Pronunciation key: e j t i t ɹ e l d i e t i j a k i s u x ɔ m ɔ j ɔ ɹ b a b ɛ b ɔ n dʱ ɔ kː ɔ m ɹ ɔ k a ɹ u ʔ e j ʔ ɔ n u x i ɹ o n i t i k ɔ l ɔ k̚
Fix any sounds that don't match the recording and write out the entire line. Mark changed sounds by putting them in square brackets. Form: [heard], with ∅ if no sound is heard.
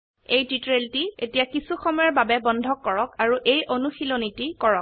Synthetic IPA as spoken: e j t i t ɹ e l [t] i e t i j a k i s u x ɔ m ɔ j ɔ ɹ b a b ɛ b ɔ n dʱ ɔ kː ɔ [∅] ɹ ɔ k a ɹ u ʔ e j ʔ [o] n u x i [l] o n i t i k ɔ [ɹ] ɔ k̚